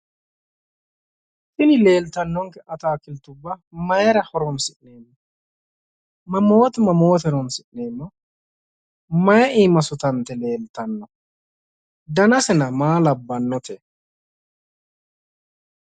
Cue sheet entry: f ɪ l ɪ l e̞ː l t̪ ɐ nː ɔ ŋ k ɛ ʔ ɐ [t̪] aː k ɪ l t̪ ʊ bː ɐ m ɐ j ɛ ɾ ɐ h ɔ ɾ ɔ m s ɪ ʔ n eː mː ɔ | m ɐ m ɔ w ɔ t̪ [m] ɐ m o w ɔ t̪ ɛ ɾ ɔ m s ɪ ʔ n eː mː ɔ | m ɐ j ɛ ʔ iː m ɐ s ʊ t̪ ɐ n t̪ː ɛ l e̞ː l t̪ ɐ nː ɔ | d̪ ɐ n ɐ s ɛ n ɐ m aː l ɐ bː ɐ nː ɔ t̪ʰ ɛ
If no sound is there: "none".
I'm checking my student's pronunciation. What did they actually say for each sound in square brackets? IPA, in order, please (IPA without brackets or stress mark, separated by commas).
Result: t̪, m